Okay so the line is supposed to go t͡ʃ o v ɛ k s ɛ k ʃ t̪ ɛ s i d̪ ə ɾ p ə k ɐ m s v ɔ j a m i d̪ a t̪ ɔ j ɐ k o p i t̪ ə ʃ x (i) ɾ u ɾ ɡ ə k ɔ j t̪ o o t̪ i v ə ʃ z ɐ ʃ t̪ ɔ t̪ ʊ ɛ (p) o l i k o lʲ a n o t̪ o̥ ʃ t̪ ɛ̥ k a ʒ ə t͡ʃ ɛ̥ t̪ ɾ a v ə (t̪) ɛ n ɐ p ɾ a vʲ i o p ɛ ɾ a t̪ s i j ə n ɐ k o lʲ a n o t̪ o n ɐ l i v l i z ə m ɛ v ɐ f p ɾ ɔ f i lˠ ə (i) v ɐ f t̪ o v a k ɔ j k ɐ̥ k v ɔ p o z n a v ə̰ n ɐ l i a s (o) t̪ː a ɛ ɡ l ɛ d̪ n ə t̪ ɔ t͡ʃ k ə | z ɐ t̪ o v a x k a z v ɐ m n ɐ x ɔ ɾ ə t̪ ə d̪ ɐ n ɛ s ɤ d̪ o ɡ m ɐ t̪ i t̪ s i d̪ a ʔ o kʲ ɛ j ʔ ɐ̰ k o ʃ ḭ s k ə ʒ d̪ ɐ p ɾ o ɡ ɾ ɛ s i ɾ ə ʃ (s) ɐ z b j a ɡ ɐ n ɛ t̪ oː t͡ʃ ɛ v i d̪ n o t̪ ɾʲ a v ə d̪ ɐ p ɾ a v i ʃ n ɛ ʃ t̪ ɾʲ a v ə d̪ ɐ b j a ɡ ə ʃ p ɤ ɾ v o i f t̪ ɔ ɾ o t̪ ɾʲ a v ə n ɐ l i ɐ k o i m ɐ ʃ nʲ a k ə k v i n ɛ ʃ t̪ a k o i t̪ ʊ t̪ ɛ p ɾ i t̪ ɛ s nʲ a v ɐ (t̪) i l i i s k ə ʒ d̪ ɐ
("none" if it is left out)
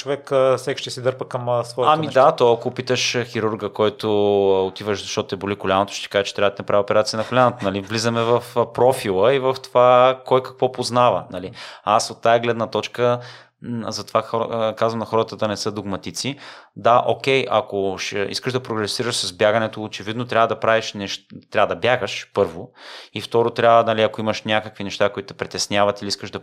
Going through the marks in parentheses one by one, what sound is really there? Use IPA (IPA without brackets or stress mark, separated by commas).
i, b, t̪, i, o, s, t̪